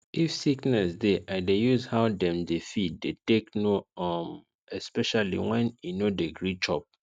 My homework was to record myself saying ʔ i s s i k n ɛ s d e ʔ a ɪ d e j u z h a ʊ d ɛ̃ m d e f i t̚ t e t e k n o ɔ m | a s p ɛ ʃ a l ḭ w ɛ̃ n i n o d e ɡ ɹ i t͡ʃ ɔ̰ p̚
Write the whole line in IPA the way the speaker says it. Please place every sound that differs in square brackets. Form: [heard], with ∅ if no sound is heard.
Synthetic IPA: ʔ i [f] s i k n ɛ s d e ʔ a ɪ d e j u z h a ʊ d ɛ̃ m d e f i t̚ [d] e t e k n o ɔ m | [ɛ] s p ɛ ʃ a l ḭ w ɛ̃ n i n o d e ɡ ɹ i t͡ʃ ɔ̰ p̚